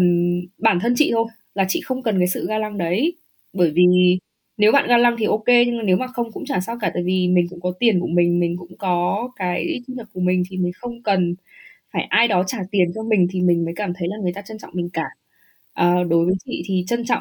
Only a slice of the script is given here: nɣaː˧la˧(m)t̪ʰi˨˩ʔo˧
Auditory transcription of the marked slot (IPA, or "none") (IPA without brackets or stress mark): ŋ